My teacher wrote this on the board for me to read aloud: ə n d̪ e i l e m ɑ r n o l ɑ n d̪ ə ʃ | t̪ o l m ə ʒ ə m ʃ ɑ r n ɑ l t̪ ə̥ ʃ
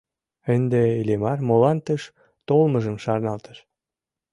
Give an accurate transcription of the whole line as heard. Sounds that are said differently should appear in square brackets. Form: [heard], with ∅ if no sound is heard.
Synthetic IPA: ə n d̪ e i l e m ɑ r [m] o l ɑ n [t̪] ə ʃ | t̪ o l m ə ʒ ə m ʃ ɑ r n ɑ l t̪ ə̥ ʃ